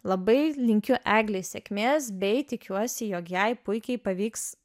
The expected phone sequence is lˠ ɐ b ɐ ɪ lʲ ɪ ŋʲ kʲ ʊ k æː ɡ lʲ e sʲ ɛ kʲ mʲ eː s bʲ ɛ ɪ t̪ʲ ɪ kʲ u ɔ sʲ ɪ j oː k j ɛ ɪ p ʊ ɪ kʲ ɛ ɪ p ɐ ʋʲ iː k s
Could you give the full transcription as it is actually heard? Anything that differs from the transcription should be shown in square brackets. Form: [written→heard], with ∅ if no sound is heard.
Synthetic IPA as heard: lˠ ɐ b ɐ ɪ lʲ ɪ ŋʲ kʲ ʊ [k→ʔ] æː ɡ lʲ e sʲ ɛ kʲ mʲ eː s bʲ ɛ ɪ t̪ʲ ɪ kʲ u ɔ sʲ ɪ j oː k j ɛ ɪ p ʊ ɪ kʲ ɛ ɪ p ɐ ʋʲ iː k s